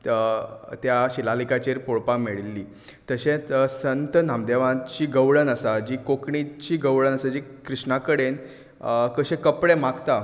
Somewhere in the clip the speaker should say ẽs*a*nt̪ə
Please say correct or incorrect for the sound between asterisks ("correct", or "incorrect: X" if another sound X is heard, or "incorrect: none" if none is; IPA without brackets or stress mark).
incorrect: ə